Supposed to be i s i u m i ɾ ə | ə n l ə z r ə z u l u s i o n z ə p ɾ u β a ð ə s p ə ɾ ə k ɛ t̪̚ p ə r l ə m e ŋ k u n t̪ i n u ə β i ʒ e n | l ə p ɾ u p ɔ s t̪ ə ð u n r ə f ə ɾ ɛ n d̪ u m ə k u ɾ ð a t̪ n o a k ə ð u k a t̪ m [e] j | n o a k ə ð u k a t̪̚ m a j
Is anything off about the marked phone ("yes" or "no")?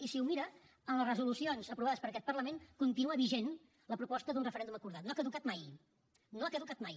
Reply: yes